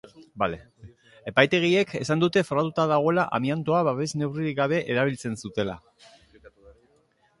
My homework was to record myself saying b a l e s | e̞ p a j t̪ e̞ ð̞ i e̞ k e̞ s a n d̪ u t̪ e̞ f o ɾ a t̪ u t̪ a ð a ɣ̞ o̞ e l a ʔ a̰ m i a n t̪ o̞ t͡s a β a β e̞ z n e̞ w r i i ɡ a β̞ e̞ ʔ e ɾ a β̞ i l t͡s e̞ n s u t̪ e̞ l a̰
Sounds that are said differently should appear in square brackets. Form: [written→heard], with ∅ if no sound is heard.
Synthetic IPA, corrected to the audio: b a l e [s→∅] | e̞ p a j t̪ e̞ [ð̞→ɣ̞] i e̞ k e̞ s a n d̪ u t̪ e̞ f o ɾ a t̪ u t̪ a ð a ɣ̞ o̞ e l a ʔ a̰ m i a n t̪ o̞ [t͡s→∅] a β a β e̞ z n e̞ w r i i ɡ a β̞ e̞ ʔ e ɾ a β̞ i l t͡s e̞ n s u t̪ e̞ l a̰

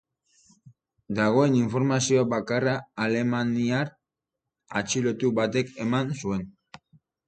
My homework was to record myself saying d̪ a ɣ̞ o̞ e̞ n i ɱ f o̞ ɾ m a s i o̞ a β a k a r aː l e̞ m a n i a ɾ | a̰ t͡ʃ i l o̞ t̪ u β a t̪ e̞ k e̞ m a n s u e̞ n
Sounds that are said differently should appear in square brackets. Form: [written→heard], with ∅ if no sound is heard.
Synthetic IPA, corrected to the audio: d̪ a ɣ̞ o̞ e̞ n i ɱ f o̞ ɾ m a s i o̞ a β a k a r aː l e̞ m a n i a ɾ | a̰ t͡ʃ i l o̞ t̪ u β a t̪ e̞ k e̞ m a n s u e̞ n

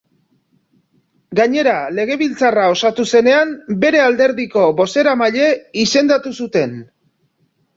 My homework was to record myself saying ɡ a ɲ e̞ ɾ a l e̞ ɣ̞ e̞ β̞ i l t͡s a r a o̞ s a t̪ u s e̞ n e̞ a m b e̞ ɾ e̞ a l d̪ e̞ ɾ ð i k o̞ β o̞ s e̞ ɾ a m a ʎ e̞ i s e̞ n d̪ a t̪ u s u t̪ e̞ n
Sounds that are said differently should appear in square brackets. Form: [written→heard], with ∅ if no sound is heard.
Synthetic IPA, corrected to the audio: ɡ a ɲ e̞ ɾ a l e̞ ɣ̞ e̞ β̞ i l t͡s a r a o̞ s a t̪ u s e̞ n e̞ a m b e̞ ɾ e̞ a l d̪ e̞ ɾ ð i k o̞ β o̞ s e̞ ɾ a m a ʎ e̞ i s e̞ n d̪ a t̪ u s u t̪ e̞ n

